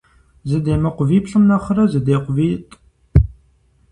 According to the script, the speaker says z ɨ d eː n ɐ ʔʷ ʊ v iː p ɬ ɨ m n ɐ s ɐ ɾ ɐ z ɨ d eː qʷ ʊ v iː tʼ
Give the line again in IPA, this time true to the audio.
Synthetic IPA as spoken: z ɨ d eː m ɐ qʷ ʊ v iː p ɬ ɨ m n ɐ χ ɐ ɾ ɐ z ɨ d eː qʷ ʊ v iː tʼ